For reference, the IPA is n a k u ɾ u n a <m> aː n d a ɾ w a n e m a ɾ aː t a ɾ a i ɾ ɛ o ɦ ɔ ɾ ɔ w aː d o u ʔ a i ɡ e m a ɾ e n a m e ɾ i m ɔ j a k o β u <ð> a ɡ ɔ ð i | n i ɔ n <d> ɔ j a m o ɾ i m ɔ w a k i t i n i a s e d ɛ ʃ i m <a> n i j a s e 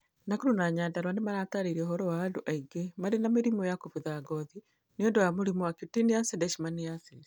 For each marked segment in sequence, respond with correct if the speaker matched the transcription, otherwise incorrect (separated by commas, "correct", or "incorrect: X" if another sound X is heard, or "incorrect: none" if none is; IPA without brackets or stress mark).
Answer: incorrect: ɲ, correct, correct, correct